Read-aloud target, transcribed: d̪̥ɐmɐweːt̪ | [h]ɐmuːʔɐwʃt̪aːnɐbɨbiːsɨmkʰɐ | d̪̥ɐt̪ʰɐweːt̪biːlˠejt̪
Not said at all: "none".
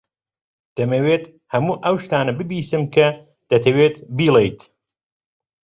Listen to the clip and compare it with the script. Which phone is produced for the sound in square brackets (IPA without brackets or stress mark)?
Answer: h